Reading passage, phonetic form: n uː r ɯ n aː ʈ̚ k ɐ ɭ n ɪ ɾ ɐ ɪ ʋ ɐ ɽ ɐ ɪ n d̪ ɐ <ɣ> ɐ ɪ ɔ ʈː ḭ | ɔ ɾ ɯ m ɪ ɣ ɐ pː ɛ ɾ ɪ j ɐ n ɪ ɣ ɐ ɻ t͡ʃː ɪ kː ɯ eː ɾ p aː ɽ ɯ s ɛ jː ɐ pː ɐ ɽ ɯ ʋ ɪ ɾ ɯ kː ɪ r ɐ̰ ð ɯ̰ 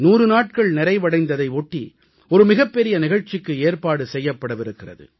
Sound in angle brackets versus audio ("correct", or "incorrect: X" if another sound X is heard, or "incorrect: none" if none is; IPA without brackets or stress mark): incorrect: ð